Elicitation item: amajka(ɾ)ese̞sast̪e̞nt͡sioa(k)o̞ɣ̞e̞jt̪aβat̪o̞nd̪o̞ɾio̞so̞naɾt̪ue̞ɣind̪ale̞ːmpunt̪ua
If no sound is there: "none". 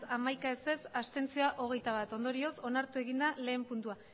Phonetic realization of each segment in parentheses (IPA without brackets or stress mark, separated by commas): none, ʔ